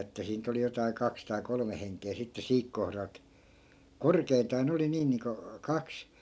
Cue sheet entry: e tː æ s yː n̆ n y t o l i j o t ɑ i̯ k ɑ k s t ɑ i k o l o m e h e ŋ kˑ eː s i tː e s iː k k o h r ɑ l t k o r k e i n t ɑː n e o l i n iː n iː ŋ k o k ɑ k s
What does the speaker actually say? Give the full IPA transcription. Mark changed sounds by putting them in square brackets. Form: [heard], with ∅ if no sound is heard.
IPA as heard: e tː æ s [iː] n̆ n y t o l i j o t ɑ i̯ k ɑ k s t ɑ i k o l o m e h e ŋ kˑ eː s i tː e s iː k k o h r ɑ l t k o r k e i n t ɑː n e o l i n iː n iː ŋ k o k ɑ k s